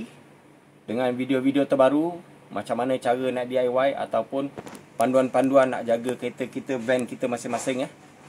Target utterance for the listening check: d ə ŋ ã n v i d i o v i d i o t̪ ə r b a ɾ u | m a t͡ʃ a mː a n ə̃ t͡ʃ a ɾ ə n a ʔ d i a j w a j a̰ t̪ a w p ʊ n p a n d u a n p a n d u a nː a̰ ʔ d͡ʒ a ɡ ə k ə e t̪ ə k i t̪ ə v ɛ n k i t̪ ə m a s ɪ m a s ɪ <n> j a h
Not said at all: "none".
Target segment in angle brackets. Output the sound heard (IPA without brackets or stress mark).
ŋ